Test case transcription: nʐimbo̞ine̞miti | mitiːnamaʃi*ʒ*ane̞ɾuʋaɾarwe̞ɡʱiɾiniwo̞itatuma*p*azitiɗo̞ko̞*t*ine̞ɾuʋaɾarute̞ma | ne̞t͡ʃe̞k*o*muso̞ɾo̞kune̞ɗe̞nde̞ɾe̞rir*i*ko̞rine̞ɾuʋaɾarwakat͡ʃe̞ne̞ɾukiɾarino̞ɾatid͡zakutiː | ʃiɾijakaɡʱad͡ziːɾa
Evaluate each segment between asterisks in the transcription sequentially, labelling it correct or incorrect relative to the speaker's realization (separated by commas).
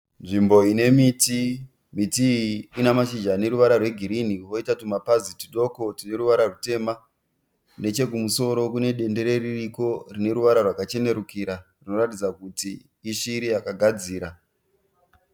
incorrect, correct, correct, incorrect, correct